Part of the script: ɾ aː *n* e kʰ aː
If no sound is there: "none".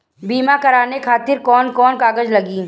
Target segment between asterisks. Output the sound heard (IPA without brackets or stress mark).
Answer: n